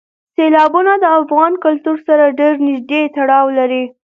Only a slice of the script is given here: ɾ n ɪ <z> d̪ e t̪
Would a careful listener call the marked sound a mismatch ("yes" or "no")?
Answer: yes